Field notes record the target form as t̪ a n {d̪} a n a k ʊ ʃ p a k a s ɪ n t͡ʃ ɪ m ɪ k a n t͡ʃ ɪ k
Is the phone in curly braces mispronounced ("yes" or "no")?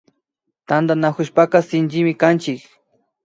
no